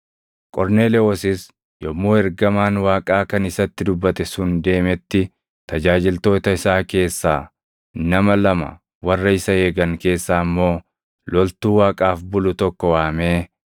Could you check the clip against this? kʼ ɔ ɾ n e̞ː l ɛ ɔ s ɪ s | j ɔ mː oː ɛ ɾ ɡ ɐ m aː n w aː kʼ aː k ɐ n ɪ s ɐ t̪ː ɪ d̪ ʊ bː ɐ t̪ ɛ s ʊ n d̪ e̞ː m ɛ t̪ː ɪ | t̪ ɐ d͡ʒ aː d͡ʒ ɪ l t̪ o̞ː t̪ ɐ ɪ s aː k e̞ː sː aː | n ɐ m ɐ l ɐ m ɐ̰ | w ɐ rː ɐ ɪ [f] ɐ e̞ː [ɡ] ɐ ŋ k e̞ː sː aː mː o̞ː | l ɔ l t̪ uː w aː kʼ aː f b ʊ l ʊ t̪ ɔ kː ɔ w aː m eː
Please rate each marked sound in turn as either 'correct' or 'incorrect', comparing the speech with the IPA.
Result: incorrect, correct

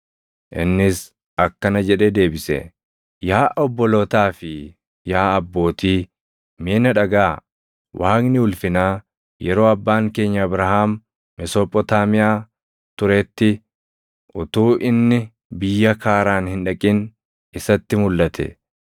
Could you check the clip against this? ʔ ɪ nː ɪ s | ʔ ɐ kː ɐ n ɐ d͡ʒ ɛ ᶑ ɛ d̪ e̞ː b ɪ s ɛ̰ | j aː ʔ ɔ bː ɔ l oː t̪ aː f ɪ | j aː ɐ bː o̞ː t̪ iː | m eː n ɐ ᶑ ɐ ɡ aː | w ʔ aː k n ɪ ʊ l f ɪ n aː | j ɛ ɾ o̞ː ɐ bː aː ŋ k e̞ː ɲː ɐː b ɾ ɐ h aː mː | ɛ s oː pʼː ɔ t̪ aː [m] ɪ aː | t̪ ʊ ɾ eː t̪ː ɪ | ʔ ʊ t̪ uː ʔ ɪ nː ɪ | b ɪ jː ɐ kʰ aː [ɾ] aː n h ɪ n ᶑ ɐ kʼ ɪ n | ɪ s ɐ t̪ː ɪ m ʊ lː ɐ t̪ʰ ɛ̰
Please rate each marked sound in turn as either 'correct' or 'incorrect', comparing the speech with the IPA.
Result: correct, correct

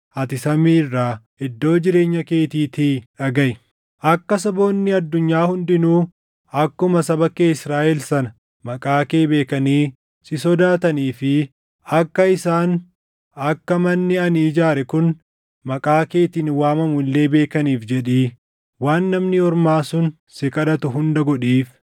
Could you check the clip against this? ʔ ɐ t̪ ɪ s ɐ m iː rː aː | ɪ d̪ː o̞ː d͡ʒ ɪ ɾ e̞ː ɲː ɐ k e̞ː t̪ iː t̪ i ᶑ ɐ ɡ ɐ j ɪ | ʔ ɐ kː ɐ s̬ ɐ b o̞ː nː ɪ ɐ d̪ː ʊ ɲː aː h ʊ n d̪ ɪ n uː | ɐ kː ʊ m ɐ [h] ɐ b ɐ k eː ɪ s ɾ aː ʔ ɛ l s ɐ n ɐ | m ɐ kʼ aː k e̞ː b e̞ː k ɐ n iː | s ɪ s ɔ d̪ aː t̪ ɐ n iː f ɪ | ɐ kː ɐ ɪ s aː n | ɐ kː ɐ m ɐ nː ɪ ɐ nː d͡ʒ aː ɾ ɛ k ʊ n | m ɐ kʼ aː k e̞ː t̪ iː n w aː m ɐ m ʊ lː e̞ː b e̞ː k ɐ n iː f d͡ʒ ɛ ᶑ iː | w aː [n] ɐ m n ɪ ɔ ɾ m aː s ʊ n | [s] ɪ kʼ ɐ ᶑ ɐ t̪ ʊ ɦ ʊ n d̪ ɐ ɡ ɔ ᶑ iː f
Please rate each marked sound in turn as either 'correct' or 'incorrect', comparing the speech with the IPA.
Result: incorrect, incorrect, correct

